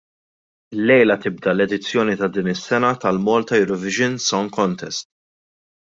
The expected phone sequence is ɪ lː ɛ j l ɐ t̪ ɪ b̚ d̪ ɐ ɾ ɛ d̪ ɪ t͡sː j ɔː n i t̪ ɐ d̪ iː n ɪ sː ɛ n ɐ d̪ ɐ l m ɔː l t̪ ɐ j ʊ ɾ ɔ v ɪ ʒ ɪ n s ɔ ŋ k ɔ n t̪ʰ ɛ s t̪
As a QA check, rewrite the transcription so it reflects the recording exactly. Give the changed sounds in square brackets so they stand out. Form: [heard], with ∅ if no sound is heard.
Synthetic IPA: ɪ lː ɛ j l ɐ t̪ ɪ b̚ d̪ ɐ [l] ɛ d̪ ɪ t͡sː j ɔː n i t̪ ɐ d̪ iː n ɪ sː ɛ n ɐ [t̪] ɐ l m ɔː l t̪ ɐ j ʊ ɾ ɔ v ɪ ʒ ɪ n s ɔ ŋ k ɔ n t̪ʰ ɛ s t̪